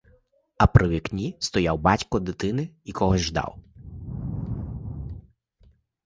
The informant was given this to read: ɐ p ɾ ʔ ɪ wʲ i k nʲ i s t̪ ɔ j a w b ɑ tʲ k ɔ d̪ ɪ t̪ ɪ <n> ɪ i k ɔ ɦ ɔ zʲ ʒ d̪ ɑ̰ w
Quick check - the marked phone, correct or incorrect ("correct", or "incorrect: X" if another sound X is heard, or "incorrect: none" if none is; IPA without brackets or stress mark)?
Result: correct